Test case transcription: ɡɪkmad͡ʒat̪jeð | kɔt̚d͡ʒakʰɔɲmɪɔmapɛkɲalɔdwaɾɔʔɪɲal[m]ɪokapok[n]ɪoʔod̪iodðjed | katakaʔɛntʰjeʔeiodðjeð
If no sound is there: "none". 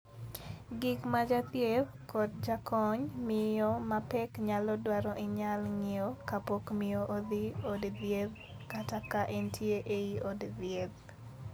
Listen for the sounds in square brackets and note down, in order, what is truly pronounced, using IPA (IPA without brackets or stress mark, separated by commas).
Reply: ŋ, m